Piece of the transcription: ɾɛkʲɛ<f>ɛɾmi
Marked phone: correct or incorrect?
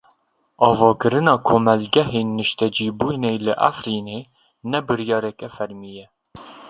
correct